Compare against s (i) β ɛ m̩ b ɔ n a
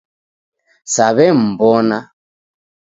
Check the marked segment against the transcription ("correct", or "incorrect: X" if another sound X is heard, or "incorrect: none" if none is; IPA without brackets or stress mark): incorrect: a